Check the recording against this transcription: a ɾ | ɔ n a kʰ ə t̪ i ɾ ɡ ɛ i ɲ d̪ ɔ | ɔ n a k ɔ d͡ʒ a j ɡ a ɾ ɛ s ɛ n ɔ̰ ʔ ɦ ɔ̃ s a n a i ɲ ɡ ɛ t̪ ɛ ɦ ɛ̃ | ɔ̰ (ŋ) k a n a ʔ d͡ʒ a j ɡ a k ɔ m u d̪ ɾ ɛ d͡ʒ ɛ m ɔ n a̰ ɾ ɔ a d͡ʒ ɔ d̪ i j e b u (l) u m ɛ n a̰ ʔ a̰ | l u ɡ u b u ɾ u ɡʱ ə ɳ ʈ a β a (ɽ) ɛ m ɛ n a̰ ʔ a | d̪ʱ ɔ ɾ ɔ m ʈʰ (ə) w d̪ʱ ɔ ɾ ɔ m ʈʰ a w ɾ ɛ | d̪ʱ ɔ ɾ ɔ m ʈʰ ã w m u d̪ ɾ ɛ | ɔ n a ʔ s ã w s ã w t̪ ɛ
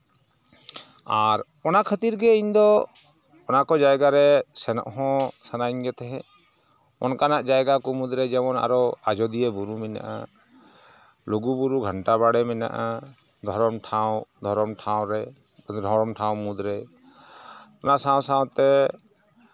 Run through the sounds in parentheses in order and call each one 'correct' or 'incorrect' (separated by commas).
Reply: incorrect, incorrect, correct, incorrect